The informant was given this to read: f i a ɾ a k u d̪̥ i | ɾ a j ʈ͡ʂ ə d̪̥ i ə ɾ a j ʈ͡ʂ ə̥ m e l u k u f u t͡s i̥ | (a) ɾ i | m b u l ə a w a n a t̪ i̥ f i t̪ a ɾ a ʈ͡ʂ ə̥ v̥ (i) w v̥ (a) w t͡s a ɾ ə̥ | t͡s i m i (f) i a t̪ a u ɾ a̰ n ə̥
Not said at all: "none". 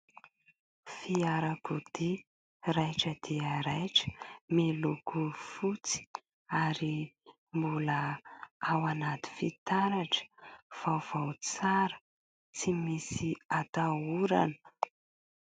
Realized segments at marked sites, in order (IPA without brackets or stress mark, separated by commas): a, a, a, s